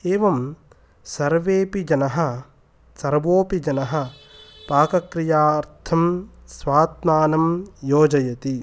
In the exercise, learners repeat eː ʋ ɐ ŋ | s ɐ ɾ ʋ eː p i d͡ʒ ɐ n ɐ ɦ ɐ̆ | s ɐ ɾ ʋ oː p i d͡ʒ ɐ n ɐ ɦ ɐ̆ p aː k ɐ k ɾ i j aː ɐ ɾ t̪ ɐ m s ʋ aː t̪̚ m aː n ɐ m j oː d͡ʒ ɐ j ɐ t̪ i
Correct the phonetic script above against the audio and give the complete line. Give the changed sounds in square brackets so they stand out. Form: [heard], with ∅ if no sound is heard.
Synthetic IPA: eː ʋ ɐ [m] | s ɐ ɾ ʋ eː p i d͡ʒ ɐ n ɐ ɦ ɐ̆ | s ɐ ɾ ʋ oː p i d͡ʒ ɐ n ɐ ɦ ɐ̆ p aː k ɐ k ɾ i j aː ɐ ɾ [t̪ʰ] ɐ m s ʋ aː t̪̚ m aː n ɐ m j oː d͡ʒ ɐ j ɐ t̪ i

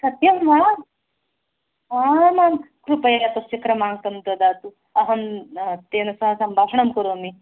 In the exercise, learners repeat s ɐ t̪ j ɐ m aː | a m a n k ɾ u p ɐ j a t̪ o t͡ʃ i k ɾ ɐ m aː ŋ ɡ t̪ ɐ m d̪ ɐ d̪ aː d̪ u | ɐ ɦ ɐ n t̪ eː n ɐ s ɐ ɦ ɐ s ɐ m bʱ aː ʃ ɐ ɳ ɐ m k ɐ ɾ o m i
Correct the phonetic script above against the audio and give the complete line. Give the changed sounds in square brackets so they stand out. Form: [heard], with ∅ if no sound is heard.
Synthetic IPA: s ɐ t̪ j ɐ m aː | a m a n k ɾ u p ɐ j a t̪ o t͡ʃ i k ɾ ɐ m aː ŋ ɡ t̪ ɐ m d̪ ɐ d̪ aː [t̪] u | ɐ ɦ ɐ n t̪ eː n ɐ s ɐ ɦ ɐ s ɐ m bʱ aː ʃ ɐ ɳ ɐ m k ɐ ɾ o m i

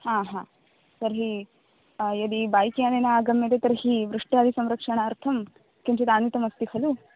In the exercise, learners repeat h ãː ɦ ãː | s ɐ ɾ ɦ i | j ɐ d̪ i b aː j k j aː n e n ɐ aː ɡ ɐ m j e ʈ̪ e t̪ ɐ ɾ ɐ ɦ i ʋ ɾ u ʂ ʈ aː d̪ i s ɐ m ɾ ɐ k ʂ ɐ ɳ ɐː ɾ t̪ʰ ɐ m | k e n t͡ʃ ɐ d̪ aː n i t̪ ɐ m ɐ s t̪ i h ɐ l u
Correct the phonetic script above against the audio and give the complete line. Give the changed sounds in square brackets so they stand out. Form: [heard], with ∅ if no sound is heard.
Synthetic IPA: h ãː ɦ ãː | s ɐ ɾ ɦ i | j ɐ d̪ i b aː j k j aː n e n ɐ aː ɡ ɐ m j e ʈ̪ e t̪ ɐ ɾ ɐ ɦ i ʋ ɾ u ʂ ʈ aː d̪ i s ɐ m ɾ ɐ k ʂ ɐ ɳ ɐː ɾ t̪ʰ ɐ m | k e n t͡ʃ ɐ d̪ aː n i t̪ ɐ m ɐ s t̪ i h ɐ l u

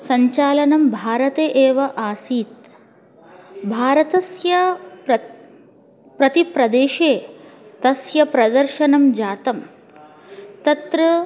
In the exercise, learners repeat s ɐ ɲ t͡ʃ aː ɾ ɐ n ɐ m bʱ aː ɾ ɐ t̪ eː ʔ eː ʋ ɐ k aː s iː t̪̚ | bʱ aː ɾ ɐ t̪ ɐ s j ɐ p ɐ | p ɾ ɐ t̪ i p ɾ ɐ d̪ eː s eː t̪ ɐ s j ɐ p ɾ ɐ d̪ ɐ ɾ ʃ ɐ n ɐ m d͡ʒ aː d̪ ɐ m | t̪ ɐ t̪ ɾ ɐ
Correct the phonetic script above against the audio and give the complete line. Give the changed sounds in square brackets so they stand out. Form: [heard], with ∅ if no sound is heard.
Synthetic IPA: s ɐ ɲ t͡ʃ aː [l] ɐ n ɐ m bʱ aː ɾ ɐ t̪ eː ʔ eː ʋ ɐ [ʔ] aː s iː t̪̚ | bʱ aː ɾ ɐ t̪ ɐ s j ɐ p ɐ | p ɾ ɐ t̪ i p ɾ ɐ d̪ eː [ʃ] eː t̪ ɐ s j ɐ p ɾ ɐ d̪ ɐ ɾ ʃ ɐ n ɐ m d͡ʒ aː [t̪] ɐ m | t̪ ɐ t̪ ɾ ɐ

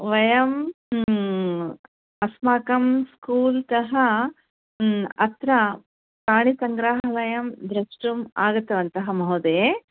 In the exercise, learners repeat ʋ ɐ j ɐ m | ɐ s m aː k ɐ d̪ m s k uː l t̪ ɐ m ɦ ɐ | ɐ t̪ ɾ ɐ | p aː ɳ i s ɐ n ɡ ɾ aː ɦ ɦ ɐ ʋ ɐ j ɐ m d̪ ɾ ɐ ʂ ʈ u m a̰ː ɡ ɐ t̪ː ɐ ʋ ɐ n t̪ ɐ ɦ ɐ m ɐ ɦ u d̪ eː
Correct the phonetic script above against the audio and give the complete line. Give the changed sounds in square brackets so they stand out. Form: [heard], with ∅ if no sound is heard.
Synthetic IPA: ʋ ɐ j ɐ m | ɐ s m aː k ɐ [∅] m s k uː l t̪ ɐ [∅] ɦ ɐ | ɐ t̪ ɾ ɐ | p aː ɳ i s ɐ [ŋ] ɡ ɾ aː ɦ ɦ ɐ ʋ ɐ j ɐ m d̪ ɾ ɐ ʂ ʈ u m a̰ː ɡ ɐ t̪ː ɐ ʋ ɐ n t̪ ɐ ɦ ɐ m ɐ ɦ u d̪ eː

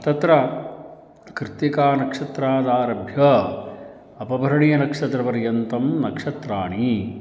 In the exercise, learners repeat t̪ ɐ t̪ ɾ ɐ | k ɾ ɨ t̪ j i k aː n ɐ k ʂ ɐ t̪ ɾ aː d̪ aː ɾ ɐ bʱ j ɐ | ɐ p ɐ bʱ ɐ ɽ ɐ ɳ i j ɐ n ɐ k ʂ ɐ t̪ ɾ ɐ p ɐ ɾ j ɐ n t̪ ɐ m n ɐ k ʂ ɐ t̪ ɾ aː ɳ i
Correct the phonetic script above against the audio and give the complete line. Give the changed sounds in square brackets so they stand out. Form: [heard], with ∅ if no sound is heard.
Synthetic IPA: t̪ ɐ t̪ ɾ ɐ | k ɾ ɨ t̪ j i k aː n ɐ k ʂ ɐ t̪ ɾ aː d̪ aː ɾ ɐ bʱ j ɐ | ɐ p ɐ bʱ ɐ [ɾ] ɐ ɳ i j ɐ n ɐ k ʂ ɐ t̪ ɾ ɐ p ɐ ɾ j ɐ n t̪ ɐ m n ɐ k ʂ ɐ t̪ ɾ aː ɳ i

